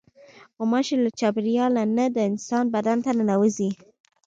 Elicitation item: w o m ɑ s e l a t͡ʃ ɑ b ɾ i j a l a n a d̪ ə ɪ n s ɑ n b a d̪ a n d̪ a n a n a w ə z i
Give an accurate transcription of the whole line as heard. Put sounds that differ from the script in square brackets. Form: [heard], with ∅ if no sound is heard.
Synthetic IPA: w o m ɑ [ʃ] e l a t͡ʃ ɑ b ɾ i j [ɑ] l a n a d̪ ə ɪ n s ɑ n b a d̪ a n [t̪] a n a n a w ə z i